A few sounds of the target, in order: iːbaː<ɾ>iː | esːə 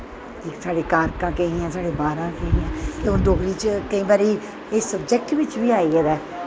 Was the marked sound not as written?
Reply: no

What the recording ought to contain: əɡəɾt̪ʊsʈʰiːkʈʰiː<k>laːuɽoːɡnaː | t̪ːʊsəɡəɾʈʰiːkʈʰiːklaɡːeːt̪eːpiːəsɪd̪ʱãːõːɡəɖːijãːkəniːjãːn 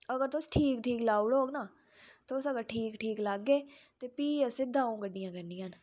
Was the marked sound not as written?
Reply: no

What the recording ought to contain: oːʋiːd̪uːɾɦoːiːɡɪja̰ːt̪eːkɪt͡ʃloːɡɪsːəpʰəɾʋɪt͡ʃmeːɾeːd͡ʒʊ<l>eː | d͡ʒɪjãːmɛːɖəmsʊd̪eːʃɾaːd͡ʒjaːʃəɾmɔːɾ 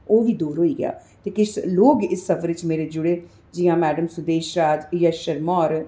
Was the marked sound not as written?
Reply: yes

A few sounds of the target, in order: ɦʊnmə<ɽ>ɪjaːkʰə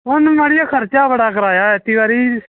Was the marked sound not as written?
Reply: no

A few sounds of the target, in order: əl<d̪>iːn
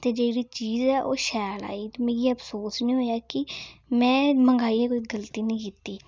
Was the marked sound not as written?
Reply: yes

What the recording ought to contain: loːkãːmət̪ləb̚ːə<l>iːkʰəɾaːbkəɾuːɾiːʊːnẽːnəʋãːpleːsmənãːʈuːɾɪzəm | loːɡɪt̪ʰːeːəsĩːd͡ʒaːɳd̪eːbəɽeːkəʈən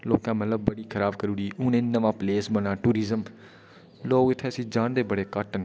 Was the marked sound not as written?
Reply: yes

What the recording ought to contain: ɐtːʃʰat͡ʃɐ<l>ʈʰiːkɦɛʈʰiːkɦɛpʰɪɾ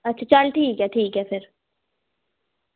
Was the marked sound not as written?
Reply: no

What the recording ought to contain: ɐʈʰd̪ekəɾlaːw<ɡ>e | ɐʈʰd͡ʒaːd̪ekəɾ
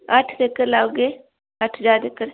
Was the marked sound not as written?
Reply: no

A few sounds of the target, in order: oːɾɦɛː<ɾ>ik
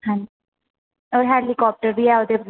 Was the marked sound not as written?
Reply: yes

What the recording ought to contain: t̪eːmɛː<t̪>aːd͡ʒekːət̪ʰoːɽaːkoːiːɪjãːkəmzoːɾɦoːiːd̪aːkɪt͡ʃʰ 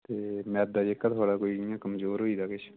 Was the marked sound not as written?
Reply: yes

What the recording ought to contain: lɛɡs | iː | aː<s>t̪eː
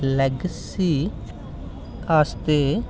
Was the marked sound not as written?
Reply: no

